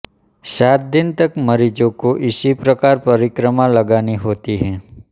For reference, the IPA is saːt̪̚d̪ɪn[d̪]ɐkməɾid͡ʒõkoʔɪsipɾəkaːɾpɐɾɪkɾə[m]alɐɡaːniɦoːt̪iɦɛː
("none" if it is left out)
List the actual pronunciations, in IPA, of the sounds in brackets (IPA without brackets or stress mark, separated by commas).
t̪, m